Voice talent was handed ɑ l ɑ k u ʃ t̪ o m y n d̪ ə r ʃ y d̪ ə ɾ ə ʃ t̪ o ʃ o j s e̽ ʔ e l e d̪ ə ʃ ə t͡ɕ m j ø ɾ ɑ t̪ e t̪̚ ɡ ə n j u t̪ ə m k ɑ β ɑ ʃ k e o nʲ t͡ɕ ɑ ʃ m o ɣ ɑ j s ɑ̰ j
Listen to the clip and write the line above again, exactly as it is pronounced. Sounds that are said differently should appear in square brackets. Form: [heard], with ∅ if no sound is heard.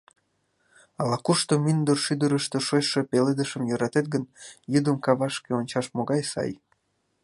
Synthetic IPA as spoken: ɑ l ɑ k u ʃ t̪ o m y n d̪ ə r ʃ y d̪ ə ɾ ə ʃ t̪ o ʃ o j [ʃ] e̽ [p] e l e d̪ ə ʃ ə [∅] m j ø ɾ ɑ t̪ e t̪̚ ɡ ə n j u [d̪] ə m k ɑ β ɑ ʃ k e o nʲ t͡ɕ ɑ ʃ m o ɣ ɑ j s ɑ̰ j